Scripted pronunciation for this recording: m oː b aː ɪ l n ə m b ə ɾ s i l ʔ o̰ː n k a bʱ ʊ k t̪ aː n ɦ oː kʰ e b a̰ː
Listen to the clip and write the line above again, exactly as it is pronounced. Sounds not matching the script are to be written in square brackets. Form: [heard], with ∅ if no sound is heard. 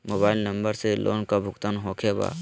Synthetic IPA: m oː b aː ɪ l n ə m b ə ɾ s [e] l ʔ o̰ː n k a bʱ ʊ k t̪ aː n ɦ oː kʰ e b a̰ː